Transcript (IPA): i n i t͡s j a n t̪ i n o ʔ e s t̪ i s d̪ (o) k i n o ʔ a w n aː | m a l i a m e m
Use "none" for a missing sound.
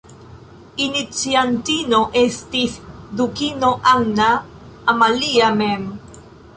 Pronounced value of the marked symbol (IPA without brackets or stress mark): u